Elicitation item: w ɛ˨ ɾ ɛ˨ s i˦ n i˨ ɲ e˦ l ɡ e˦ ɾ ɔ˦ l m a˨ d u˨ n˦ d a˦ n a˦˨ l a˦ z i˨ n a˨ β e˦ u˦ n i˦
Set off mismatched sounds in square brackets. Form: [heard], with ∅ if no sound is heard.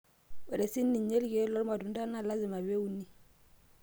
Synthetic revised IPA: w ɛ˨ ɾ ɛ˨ s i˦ n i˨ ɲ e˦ l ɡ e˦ [l] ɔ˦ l m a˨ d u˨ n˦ d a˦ n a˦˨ l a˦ z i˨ [m] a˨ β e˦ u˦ n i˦

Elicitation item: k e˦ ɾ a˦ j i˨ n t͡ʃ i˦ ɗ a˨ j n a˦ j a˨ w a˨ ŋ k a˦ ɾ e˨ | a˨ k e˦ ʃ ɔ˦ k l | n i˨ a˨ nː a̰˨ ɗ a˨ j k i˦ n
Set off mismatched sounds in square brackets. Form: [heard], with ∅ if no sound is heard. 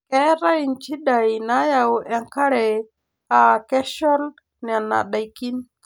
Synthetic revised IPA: k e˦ ɾ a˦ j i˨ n t͡ʃ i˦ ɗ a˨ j n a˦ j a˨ w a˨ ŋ k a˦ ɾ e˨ | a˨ k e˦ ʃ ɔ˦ [∅] l | n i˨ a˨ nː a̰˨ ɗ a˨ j k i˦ n

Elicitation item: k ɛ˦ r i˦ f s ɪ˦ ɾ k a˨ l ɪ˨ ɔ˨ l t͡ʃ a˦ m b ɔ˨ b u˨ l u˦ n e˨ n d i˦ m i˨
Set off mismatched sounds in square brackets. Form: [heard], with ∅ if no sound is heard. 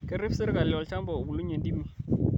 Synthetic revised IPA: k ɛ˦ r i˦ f s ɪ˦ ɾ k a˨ l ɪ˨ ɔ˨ l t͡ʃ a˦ m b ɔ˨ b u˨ l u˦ [ɲ] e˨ n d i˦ m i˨

